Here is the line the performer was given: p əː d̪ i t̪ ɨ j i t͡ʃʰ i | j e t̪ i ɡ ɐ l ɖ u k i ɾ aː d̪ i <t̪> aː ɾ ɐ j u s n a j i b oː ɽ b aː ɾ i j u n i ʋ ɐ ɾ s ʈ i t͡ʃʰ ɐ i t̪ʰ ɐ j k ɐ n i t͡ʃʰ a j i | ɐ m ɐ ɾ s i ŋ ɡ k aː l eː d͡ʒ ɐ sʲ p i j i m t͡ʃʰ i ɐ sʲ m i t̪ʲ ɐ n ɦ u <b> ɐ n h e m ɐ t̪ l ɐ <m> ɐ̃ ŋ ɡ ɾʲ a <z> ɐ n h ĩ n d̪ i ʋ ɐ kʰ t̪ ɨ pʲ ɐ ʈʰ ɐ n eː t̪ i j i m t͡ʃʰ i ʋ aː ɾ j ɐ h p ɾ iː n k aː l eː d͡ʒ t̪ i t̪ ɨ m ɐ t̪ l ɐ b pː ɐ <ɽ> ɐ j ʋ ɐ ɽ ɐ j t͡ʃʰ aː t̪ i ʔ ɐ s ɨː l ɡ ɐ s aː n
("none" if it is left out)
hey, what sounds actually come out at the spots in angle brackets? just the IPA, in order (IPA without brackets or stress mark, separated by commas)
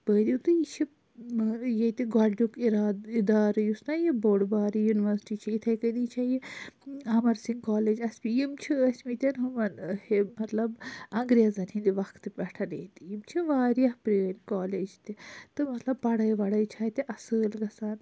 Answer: d̪, m, b, z, ɽ